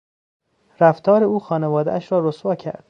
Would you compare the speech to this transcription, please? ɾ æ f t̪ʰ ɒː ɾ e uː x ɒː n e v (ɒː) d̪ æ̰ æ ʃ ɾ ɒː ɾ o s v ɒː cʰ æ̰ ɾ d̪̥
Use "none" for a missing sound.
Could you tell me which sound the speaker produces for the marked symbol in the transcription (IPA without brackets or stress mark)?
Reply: ɒː